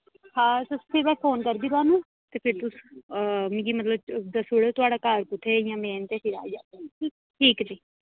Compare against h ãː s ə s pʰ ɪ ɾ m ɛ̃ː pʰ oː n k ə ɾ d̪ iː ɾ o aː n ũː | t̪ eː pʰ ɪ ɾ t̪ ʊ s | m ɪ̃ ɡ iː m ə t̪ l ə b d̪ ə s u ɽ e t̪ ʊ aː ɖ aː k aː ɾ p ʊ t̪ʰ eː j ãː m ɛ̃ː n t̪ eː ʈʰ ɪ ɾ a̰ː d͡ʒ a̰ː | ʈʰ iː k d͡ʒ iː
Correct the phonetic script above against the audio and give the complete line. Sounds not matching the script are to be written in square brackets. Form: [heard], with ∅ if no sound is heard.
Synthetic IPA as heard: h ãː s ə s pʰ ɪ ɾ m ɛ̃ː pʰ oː n k ə ɾ d̪ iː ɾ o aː n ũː | t̪ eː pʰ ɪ ɾ t̪ ʊ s | m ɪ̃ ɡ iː m ə t̪ l ə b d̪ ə s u ɽ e t̪ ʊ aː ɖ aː k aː ɾ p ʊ t̪ʰ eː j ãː m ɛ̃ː n t̪ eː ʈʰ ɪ ɾ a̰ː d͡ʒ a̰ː | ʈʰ iː k d͡ʒ iː

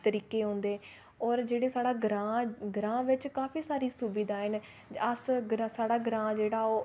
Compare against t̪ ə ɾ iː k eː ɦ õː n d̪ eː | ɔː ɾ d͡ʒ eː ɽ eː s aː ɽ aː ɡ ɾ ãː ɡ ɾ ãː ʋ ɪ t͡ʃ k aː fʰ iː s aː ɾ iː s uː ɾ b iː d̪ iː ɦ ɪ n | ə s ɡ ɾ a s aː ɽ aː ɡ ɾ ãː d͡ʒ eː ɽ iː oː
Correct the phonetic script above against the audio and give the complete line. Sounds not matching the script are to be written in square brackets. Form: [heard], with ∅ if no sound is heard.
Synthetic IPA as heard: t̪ ə ɾ iː k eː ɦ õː n d̪ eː | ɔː ɾ d͡ʒ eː ɽ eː s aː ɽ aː ɡ ɾ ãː ɡ ɾ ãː ʋ ɪ t͡ʃ k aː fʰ iː s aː ɾ iː s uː [∅] b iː d̪ [aː] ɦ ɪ n | ə s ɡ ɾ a s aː ɽ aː ɡ ɾ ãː d͡ʒ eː ɽ [aː] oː

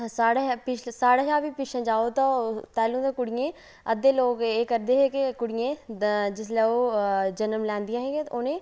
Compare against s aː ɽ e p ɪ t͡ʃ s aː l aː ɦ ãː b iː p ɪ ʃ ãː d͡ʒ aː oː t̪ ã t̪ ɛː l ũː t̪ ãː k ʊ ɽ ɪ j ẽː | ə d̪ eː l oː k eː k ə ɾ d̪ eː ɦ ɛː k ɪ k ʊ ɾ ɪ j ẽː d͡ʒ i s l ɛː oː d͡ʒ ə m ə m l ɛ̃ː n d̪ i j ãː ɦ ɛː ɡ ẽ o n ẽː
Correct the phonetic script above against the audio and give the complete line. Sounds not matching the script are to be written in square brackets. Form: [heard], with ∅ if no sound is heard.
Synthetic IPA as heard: s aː ɽ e p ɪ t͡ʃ s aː [ɽ] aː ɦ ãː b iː p ɪ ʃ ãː d͡ʒ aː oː t̪ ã t̪ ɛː l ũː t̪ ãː k ʊ ɽ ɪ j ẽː | ə d̪ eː l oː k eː k ə ɾ d̪ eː ɦ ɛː k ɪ k ʊ [ɽ] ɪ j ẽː d͡ʒ [ɪ] s l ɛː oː d͡ʒ ə [n] ə m l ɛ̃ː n d̪ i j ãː ɦ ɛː ɡ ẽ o n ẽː

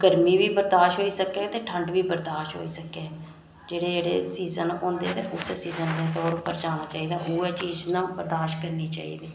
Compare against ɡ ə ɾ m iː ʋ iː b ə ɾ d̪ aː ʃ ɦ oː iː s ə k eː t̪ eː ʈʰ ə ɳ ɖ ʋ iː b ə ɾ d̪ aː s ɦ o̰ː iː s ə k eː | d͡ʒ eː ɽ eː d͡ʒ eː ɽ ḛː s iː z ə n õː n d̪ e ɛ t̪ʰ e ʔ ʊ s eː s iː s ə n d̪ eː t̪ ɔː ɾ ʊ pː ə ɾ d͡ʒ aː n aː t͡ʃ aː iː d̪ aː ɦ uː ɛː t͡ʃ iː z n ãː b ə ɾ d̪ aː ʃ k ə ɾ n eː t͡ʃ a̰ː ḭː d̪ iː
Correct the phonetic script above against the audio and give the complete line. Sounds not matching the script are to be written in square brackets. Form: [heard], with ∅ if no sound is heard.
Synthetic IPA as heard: ɡ ə ɾ m iː ʋ iː b ə ɾ d̪ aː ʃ ɦ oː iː s ə k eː t̪ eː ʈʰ ə ɳ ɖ ʋ iː b ə ɾ d̪ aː [ʃ] ɦ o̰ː iː s ə k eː | d͡ʒ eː ɽ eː d͡ʒ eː ɽ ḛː s iː z ə n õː n d̪ e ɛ [t̪] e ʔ ʊ s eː s iː [z] ə n d̪ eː t̪ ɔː ɾ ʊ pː ə ɾ d͡ʒ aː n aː t͡ʃ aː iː d̪ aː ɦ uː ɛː t͡ʃ iː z n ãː b ə ɾ d̪ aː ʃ k ə ɾ n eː t͡ʃ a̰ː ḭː d̪ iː

